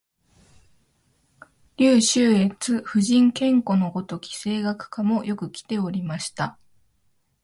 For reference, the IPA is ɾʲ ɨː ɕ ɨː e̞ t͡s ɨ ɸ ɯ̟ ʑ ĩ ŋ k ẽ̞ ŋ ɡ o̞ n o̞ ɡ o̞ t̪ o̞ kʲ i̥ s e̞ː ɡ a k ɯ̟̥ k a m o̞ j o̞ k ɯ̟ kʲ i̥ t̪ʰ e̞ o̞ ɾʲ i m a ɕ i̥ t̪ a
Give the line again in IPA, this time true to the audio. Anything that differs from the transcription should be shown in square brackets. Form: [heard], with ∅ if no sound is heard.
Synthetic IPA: ɾʲ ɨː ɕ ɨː e̞ t͡s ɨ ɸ ɯ̟ ʑ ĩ ŋ k ẽ̞ ŋ [k] o̞ n o̞ ɡ o̞ t̪ o̞ kʲ i̥ s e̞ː ɡ a k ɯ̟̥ k a m o̞ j o̞ k ɯ̟ kʲ i̥ [t̪] e̞ o̞ ɾʲ i m a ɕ i̥ t̪ a

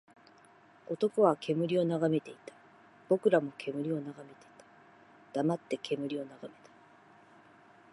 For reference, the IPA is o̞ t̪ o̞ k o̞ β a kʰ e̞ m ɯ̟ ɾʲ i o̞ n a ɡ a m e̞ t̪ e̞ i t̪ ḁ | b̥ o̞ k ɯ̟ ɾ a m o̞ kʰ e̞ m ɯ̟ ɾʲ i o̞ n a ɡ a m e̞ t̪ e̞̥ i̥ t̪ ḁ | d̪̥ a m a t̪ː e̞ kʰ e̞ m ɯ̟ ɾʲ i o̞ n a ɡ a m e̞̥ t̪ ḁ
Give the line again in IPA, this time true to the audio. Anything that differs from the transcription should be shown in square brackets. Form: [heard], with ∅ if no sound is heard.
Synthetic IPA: o̞ t̪ o̞ k o̞ β a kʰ e̞ m ɯ̟ ɾʲ i o̞ n a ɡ a m e̞ t̪ e̞ i t̪ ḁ | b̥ o̞ k ɯ̟ ɾ a m o̞ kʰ e̞ m ɯ̟ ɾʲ i o̞ n a ɡ a m e̞ t̪ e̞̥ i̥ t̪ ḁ | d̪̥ a m a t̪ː e̞ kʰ e̞ m ɯ̟ ɾʲ i o̞ n a ɡ a m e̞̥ t̪ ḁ

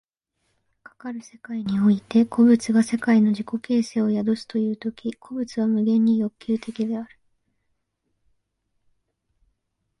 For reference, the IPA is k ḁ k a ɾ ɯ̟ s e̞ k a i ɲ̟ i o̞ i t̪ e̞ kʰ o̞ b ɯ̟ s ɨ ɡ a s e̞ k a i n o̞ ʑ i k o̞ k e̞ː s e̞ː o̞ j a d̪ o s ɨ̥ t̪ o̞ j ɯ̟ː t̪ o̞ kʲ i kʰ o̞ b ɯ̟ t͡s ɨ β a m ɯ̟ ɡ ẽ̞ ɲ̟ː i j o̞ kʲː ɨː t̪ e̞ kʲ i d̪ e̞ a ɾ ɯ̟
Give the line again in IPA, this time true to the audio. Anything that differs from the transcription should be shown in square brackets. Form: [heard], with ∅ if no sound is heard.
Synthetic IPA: k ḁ k a ɾ ɯ̟ s e̞ k a i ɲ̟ i o̞ i t̪ e̞ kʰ o̞ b ɯ̟ [t͡s] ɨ ɡ a s e̞ k a i n o̞ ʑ i k o̞ k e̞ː s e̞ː o̞ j a d̪ o s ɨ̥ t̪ o̞ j ɯ̟ː t̪ o̞ kʲ i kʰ o̞ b ɯ̟ t͡s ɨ β a m ɯ̟ ɡ ẽ̞ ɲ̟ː i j o̞ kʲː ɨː t̪ e̞ kʲ i d̪ e̞ a ɾ ɯ̟

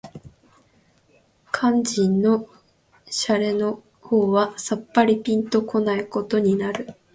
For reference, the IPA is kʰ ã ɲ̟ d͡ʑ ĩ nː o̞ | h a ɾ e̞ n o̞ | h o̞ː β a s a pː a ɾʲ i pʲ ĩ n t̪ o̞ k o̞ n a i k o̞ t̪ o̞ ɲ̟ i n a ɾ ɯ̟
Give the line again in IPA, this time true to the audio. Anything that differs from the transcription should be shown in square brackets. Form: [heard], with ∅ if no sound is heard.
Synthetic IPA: kʰ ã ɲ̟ d͡ʑ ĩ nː o̞ | [ɕ] a ɾ e̞ n o̞ | h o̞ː β a s a pː a ɾʲ i pʲ ĩ n t̪ o̞ k o̞ n a i k o̞ t̪ o̞ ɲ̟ i n a ɾ ɯ̟

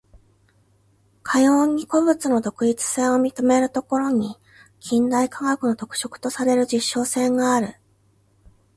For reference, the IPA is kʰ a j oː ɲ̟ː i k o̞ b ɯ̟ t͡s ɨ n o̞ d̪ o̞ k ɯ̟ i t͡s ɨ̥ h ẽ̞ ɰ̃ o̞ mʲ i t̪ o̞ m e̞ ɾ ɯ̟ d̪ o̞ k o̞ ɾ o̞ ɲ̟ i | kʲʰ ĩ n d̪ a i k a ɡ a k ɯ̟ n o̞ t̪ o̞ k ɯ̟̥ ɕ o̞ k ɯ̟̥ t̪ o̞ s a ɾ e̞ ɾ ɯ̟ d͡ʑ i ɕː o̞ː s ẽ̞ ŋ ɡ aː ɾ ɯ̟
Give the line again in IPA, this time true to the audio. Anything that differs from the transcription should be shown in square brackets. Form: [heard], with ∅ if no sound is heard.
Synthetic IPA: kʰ a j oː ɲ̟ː i k o̞ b ɯ̟ t͡s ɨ n o̞ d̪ o̞ k ɯ̟ i t͡s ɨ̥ [s] ẽ̞ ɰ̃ o̞ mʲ i t̪ o̞ m e̞ ɾ ɯ̟ [t̪] o̞ k o̞ ɾ o̞ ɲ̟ i | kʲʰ ĩ n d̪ a i k a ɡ a k ɯ̟ n o̞ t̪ o̞ k ɯ̟̥ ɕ o̞ k ɯ̟̥ t̪ o̞ s a ɾ e̞ ɾ ɯ̟ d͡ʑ i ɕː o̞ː s ẽ̞ ŋ ɡ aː ɾ ɯ̟

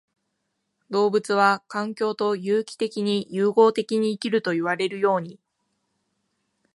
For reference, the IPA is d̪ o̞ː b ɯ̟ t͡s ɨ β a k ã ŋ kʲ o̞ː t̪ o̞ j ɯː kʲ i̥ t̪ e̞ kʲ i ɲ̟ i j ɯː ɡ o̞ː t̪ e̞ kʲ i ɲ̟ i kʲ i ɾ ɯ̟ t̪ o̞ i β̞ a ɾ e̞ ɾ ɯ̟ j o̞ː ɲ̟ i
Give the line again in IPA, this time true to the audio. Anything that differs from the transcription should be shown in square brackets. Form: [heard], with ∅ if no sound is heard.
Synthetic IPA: d̪ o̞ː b ɯ̟ t͡s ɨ β a k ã ŋ kʲ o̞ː t̪ o̞ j ɯː kʲ i̥ t̪ e̞ kʲ i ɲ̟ i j ɯː ɡ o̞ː t̪ e̞ kʲ i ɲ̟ [iː] kʲ i ɾ ɯ̟ t̪ o̞ i β̞ a ɾ e̞ ɾ ɯ̟ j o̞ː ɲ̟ i

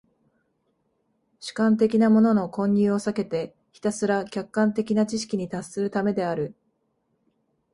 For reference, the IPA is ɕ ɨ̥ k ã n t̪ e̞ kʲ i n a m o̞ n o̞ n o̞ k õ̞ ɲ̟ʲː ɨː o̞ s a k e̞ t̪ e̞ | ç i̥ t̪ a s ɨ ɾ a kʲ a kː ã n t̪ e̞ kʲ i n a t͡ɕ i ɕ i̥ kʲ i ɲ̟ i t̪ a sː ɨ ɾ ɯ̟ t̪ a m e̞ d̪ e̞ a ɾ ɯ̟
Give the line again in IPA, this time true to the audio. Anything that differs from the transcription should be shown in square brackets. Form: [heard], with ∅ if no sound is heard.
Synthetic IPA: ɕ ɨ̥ k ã n t̪ e̞ kʲ i n a m o̞ n o̞ n o̞ k õ̞ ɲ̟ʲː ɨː o̞ s a k e̞ t̪ e̞ | ç i̥ t̪ a s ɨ ɾ a kʲ a kː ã n t̪ e̞ kʲ i n a t͡ɕ i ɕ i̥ kʲ i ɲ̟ i t̪ a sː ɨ ɾ ɯ̟ t̪ a m e̞ d̪ e̞ a ɾ ɯ̟

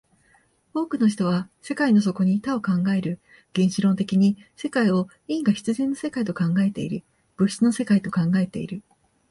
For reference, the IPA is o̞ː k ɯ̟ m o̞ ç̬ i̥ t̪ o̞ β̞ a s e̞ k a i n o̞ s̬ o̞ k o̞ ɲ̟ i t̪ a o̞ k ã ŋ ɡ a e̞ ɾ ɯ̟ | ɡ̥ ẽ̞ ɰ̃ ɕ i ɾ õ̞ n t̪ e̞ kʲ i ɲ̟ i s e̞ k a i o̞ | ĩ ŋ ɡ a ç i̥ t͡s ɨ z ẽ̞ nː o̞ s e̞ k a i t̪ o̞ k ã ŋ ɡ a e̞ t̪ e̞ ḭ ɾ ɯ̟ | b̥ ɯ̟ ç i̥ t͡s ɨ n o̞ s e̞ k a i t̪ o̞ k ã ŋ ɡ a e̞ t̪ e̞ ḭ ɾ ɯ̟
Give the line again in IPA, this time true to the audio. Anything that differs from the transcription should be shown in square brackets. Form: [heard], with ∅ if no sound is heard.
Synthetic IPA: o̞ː k ɯ̟ [n] o̞ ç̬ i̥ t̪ o̞ β̞ a s e̞ k a i n o̞ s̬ o̞ k o̞ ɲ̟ i t̪ a o̞ k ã ŋ ɡ a e̞ ɾ ɯ̟ | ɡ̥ ẽ̞ ɰ̃ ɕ i ɾ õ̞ n t̪ e̞ kʲ i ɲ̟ i s e̞ k a i o̞ | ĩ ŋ ɡ a ç i̥ t͡s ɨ z ẽ̞ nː o̞ s e̞ k a i t̪ o̞ k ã ŋ ɡ a e̞ t̪ e̞ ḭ ɾ ɯ̟ | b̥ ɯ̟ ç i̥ t͡s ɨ n o̞ s e̞ k a i t̪ o̞ k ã ŋ ɡ a e̞ t̪ e̞ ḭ ɾ ɯ̟

